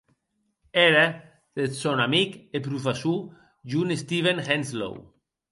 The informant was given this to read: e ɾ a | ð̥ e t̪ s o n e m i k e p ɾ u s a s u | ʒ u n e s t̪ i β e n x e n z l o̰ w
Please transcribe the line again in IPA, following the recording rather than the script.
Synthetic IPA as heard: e ɾ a | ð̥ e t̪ s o n a m i k e p ɾ u f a s u | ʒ u n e s t̪ i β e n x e n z l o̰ w